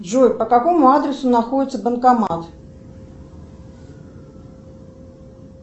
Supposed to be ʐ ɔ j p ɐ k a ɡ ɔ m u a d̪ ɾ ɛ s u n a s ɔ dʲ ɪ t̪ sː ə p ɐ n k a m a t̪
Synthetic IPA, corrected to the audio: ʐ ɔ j p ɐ k a k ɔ m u a d̪ ɾ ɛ s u n a x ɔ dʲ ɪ t̪ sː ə b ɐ n k a m a t̪